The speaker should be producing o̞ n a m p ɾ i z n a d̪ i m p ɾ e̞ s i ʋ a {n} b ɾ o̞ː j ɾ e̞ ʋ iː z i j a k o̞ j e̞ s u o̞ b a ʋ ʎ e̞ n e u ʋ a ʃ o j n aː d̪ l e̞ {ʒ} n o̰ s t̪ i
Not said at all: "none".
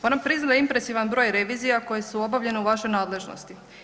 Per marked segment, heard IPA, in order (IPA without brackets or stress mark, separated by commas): n, ʒ